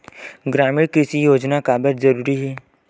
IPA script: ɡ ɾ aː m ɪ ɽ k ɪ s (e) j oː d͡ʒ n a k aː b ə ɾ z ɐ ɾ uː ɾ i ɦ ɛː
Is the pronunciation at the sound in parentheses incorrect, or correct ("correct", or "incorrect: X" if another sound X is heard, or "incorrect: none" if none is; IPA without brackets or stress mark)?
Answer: incorrect: i